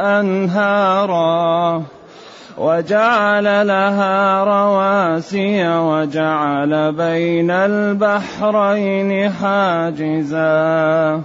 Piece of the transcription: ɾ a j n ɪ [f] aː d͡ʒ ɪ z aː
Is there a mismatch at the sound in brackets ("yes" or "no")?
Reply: yes